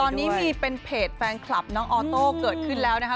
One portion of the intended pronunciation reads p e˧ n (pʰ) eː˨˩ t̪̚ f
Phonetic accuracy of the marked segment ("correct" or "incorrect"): correct